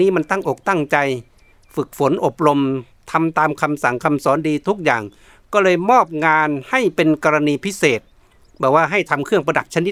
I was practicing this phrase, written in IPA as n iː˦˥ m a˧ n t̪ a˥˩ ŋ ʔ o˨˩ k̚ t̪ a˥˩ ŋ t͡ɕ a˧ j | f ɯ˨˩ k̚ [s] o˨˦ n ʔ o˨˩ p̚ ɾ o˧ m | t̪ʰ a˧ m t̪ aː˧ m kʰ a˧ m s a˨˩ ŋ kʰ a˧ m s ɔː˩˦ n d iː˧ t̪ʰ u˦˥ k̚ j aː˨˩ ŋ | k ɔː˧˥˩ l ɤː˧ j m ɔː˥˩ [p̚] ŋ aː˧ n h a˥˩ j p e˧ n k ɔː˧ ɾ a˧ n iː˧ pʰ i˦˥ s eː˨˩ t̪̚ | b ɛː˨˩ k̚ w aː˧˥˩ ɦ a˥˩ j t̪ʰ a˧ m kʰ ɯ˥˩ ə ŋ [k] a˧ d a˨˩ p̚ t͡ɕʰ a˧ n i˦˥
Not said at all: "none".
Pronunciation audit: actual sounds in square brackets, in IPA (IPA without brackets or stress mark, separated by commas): f, p̚, p